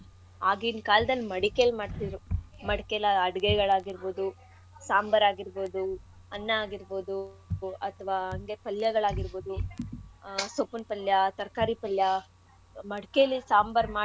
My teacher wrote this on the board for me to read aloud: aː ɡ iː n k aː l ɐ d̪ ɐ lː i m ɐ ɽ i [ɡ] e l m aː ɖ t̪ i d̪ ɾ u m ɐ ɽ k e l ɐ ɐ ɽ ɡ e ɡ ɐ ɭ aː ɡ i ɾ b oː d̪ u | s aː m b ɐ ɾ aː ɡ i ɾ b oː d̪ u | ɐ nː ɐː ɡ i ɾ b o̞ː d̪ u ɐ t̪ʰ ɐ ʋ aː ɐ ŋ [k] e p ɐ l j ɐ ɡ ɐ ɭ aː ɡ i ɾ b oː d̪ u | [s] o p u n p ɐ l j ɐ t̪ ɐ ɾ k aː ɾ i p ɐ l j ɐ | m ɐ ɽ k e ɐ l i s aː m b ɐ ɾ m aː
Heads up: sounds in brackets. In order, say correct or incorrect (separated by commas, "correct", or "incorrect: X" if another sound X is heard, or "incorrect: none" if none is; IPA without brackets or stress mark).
incorrect: k, incorrect: ɡ, correct